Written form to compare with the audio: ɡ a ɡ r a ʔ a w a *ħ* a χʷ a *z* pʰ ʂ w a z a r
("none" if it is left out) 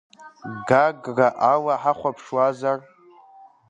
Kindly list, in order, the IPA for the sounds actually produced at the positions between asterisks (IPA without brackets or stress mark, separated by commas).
ħ, none